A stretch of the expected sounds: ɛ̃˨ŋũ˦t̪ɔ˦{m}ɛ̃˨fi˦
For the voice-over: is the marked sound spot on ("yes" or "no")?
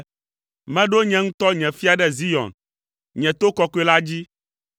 no